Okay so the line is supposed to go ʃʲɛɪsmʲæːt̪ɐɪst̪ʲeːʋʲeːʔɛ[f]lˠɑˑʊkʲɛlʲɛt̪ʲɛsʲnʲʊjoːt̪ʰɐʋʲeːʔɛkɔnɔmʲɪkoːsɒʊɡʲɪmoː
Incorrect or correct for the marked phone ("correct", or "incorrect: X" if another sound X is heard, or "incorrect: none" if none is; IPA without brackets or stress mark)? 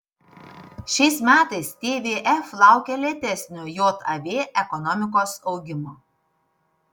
correct